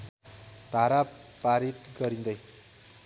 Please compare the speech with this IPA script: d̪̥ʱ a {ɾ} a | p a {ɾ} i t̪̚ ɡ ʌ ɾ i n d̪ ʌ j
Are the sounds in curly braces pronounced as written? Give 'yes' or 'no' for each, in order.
yes, yes

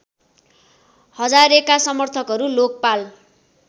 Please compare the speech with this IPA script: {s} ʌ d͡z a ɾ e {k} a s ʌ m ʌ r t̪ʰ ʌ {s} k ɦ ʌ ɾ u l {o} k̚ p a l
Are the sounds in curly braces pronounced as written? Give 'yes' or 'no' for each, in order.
no, yes, no, yes

